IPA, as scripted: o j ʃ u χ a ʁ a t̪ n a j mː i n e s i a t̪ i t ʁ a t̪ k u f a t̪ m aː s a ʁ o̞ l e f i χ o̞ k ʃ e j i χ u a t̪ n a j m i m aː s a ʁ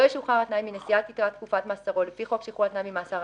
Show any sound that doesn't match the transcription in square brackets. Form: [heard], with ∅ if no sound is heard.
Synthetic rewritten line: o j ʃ u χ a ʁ a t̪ n a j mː i n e s i a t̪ i t ʁ a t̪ k u f a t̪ m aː s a ʁ o̞ l e f i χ o̞ k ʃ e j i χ u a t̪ n a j m i m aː s a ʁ